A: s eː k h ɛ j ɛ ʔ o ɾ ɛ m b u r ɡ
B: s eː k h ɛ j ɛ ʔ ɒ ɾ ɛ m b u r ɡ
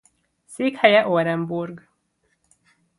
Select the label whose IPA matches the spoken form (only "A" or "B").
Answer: A